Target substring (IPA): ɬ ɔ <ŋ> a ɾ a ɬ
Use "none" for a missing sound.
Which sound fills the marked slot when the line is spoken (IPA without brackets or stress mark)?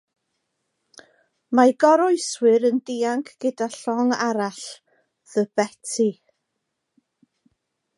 ŋ